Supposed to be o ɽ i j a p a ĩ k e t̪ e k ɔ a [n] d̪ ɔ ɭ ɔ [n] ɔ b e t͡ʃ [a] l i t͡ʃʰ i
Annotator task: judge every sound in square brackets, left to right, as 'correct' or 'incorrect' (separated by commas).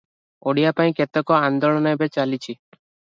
correct, correct, correct